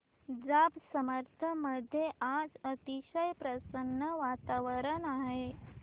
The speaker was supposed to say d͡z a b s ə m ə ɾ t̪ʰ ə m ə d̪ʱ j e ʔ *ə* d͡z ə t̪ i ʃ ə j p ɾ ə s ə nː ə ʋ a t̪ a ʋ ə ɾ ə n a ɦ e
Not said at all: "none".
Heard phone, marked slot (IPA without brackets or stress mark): a